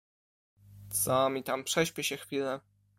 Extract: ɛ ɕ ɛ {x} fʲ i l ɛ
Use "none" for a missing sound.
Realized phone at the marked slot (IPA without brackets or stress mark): x